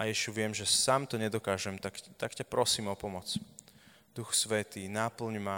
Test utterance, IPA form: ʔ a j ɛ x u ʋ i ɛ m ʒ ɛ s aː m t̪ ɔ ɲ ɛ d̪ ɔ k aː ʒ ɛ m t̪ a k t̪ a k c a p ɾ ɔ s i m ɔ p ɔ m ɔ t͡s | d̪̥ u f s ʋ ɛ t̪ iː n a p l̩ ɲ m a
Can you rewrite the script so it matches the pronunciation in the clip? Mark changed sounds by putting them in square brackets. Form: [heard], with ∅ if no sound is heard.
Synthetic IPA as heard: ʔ a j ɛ [ʃ] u ʋ [ɪ] ɛ m ʒ ɛ s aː m t̪ ɔ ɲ ɛ d̪ ɔ k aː ʒ ɛ m t̪ a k t̪ a k c a p ɾ ɔ s [iː] m ɔ p ɔ m ɔ t͡s | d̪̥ u [x] s ʋ ɛ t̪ iː n a p l̩ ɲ m a